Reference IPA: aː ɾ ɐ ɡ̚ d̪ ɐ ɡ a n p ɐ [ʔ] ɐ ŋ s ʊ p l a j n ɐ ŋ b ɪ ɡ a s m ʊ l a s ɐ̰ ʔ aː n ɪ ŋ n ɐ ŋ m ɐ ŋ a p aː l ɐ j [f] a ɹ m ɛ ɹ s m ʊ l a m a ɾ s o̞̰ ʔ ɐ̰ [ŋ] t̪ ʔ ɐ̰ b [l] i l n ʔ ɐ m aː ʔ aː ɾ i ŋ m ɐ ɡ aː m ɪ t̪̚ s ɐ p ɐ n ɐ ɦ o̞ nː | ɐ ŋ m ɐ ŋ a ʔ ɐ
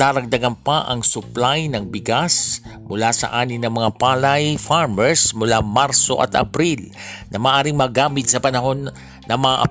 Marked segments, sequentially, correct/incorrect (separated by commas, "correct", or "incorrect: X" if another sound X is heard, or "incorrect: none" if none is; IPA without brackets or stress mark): correct, correct, incorrect: none, incorrect: ɾ